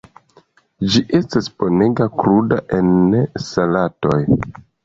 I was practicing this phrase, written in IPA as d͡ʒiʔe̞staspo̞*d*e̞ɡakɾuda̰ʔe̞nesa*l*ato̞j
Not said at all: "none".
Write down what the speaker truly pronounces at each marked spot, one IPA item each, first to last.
n, l

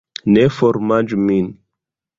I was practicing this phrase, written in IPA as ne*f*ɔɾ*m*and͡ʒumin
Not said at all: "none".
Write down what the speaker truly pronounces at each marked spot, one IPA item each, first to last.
f, m

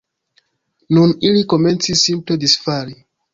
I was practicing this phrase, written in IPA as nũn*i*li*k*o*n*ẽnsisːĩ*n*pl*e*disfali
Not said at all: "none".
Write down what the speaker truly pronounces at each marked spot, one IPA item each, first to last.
i, k, m, m, e

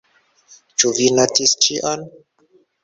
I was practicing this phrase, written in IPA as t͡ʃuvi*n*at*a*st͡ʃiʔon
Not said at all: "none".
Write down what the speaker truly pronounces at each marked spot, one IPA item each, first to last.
n, i

